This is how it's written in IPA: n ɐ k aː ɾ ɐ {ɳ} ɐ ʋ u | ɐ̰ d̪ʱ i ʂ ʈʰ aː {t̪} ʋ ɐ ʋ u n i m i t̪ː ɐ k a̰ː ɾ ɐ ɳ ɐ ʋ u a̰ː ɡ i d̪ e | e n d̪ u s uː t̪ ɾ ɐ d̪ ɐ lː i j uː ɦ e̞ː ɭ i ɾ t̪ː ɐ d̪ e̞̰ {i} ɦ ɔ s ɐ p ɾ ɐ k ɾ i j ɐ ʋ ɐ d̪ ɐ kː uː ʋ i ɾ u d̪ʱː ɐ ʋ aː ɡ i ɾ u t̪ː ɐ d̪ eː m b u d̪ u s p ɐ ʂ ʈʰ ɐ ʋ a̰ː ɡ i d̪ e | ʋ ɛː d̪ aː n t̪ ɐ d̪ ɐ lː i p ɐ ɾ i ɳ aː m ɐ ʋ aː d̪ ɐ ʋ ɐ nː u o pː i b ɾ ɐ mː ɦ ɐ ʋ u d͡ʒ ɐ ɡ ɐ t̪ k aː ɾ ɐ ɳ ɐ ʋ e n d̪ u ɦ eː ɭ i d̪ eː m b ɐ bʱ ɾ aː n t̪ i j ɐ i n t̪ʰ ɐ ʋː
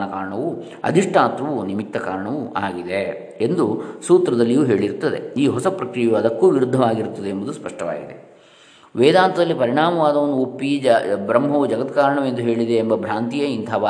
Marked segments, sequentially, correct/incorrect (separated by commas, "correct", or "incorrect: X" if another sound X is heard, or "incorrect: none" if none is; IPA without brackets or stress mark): correct, correct, incorrect: iː